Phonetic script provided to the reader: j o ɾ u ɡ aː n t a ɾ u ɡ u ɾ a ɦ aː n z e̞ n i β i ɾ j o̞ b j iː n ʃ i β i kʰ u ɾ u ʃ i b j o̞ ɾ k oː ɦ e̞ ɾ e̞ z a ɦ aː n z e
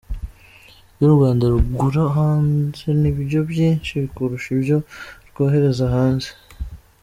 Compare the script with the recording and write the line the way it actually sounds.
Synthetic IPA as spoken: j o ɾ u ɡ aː n d a ɾ u ɡ u ɾ a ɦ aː n z e̞ n i β i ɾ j o̞ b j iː n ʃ i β i k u ɾ u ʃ i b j o̞ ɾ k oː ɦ e̞ ɾ e̞ z a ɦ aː n z e